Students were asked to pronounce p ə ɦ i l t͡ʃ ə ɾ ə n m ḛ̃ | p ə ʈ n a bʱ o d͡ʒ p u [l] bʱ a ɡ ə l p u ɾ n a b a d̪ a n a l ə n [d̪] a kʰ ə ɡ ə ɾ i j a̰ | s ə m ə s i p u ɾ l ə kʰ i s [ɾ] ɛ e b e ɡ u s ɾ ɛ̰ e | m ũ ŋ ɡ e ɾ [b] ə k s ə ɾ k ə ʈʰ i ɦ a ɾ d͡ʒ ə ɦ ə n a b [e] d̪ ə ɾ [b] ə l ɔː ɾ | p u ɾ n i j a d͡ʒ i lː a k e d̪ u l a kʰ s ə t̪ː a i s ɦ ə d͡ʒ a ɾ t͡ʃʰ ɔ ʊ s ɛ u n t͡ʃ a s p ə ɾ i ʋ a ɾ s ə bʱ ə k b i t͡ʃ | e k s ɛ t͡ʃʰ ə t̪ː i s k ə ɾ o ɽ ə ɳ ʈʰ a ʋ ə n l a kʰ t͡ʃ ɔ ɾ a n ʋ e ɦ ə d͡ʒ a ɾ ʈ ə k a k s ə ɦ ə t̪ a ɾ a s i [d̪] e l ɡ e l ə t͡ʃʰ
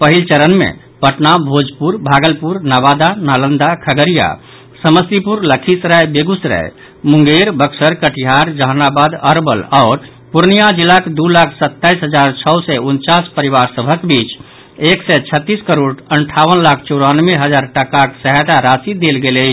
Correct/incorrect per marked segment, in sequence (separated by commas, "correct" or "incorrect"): incorrect, correct, correct, correct, incorrect, correct, correct